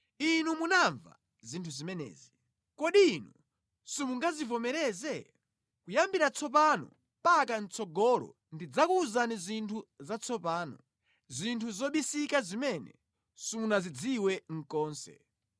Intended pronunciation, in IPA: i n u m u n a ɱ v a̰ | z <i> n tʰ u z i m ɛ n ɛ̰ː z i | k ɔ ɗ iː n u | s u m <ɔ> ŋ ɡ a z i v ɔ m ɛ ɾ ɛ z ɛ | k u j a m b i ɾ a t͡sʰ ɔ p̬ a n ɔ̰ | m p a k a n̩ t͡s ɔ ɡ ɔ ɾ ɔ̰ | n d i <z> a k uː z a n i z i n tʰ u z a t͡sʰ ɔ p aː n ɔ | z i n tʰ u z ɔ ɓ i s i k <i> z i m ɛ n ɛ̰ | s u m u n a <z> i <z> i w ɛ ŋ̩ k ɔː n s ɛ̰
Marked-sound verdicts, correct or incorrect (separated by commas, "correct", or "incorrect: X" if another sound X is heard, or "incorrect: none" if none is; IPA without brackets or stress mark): correct, incorrect: u, incorrect: d͡z, incorrect: a, correct, incorrect: d͡z